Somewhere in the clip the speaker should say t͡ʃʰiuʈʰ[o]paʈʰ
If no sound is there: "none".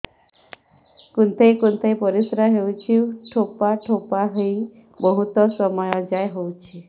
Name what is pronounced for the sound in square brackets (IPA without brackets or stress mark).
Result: o